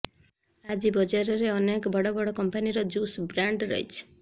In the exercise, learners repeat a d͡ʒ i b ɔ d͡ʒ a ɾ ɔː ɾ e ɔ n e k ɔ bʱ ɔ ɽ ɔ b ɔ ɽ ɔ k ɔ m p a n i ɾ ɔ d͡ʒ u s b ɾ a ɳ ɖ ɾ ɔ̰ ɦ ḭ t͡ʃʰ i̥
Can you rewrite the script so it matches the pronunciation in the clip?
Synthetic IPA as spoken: a d͡ʒ i b ɔ d͡ʒ a ɾ ɔ ɾ e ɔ n e k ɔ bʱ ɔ ɽ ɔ b ɔ ɽ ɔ k ɔ m p a n i ɾ ɔ d͡ʒ u s b ɾ a ɳ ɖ ɾ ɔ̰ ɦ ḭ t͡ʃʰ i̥